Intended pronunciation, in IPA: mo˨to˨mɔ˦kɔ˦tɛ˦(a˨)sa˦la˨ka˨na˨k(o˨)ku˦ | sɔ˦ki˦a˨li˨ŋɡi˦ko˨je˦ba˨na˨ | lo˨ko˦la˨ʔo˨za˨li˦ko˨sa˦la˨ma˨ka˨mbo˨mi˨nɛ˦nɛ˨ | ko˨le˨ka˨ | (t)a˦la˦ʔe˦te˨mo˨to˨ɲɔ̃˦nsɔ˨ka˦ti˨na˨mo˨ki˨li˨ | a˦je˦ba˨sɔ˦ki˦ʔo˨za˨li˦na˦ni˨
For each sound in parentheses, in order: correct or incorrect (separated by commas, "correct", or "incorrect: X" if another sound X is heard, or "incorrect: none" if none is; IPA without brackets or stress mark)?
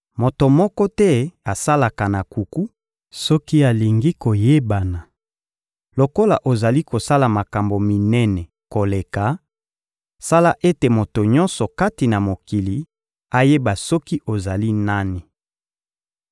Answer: correct, incorrect: u˨, incorrect: s